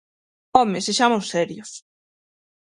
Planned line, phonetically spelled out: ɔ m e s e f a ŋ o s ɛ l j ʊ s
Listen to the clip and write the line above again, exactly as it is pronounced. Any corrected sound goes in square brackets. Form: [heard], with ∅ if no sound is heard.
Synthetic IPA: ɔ m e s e [ʃ] a [m] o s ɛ [ɾ] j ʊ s